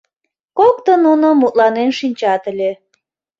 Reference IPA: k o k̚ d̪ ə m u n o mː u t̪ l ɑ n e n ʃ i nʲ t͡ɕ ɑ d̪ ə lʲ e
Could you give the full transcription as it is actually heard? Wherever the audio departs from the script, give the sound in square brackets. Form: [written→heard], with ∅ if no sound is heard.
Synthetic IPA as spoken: k o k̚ [d̪→t̪] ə [m→n] u n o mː u t̪ l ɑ n e n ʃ i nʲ t͡ɕ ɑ [d̪→t̪] ə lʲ e